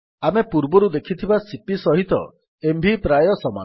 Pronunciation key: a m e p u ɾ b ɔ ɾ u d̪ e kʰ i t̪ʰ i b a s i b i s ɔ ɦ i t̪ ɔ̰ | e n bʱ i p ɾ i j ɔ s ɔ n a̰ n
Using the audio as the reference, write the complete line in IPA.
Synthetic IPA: a m e p u ɾ b ɔ ɾ u d̪ e kʰ i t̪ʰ i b a s i p i s ɔ ɦ i t̪ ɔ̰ | e m bʱ i p ɾ a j ɔ s ɔ m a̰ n